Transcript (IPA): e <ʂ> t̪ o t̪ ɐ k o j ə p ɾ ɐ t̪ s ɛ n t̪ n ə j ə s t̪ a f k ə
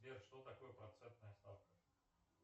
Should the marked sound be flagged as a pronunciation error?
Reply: no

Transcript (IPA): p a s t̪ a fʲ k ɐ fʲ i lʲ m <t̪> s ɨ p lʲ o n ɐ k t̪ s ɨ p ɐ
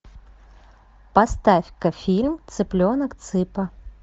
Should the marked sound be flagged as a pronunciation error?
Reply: no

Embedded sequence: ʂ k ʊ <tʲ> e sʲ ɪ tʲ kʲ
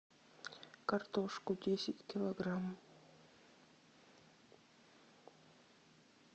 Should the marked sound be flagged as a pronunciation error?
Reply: yes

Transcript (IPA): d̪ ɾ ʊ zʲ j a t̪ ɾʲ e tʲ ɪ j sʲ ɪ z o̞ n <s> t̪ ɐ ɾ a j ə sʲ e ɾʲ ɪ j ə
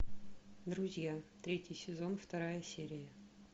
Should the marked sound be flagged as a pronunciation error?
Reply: yes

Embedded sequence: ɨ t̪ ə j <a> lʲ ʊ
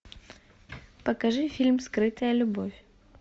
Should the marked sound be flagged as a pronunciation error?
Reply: yes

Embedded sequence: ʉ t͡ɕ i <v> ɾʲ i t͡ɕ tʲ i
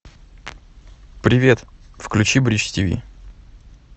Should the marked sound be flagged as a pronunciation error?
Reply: yes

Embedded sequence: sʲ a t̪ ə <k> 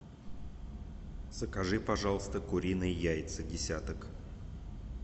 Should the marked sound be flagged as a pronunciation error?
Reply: no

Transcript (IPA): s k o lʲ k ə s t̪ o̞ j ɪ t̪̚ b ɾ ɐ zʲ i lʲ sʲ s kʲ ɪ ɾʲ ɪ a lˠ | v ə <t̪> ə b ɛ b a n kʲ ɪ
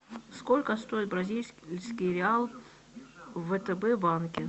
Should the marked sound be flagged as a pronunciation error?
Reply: no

